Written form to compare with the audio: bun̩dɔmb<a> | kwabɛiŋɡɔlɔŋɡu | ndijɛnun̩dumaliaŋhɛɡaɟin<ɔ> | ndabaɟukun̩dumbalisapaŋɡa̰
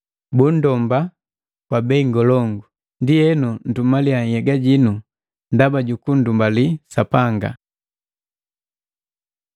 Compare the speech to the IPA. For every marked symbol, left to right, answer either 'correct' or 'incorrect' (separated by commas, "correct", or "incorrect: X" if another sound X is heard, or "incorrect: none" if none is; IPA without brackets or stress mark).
correct, incorrect: u